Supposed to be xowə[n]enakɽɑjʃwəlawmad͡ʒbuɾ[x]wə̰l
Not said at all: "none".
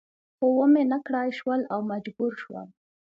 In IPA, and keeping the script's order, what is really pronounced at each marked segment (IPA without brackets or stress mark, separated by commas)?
m, ʃ